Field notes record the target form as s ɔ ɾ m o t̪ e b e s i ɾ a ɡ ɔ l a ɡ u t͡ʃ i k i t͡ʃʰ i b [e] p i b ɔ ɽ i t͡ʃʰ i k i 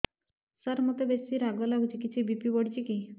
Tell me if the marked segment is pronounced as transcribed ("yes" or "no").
no